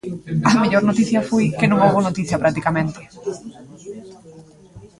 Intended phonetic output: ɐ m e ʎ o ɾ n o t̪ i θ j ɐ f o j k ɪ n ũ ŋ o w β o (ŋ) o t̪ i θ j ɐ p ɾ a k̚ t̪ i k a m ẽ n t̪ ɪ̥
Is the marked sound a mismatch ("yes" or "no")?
yes